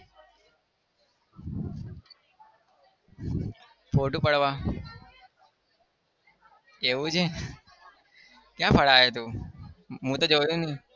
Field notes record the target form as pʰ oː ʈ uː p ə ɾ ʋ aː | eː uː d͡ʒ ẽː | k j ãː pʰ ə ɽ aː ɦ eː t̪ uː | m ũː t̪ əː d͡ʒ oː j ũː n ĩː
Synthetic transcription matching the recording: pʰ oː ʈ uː p ə ɽ ʋ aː | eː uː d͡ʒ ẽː | k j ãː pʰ ə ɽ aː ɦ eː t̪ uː | m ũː t̪ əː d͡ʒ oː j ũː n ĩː